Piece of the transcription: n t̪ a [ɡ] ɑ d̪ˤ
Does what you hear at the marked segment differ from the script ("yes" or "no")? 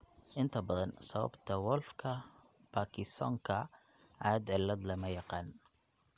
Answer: yes